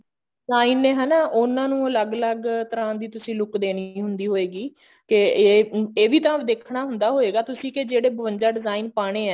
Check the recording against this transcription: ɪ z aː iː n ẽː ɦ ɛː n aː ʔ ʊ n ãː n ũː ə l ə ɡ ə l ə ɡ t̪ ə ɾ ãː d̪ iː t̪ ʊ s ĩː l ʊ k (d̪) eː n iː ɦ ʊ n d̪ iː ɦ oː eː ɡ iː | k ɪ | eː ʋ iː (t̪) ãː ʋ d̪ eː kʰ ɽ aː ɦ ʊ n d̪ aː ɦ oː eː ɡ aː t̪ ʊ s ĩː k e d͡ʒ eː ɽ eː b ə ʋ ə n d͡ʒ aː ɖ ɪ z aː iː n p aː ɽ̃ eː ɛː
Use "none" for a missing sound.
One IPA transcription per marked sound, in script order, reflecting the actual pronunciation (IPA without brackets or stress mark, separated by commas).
d̪, t̪